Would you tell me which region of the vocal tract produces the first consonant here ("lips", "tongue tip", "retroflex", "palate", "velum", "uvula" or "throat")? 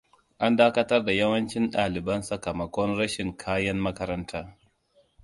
throat